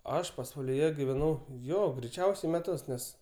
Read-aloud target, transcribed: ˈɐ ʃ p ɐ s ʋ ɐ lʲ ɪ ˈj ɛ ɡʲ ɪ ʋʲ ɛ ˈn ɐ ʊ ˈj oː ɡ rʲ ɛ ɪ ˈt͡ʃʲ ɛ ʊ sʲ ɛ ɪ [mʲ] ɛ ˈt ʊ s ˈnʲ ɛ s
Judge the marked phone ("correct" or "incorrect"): correct